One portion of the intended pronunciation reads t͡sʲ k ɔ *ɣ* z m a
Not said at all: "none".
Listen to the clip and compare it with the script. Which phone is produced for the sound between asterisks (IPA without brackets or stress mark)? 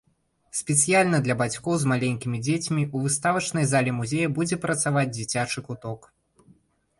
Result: w